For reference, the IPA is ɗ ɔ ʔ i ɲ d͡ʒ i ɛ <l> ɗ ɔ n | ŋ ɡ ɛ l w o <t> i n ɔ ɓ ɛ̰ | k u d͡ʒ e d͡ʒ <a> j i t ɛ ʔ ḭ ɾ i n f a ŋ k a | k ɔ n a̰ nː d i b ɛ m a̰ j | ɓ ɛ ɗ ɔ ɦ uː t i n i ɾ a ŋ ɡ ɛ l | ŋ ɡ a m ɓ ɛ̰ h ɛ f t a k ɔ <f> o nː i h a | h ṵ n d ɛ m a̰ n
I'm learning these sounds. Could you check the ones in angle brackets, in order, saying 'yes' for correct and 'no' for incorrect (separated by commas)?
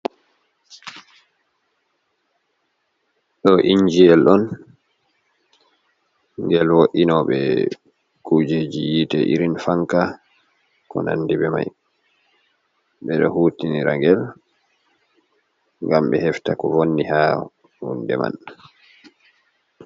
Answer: yes, no, no, no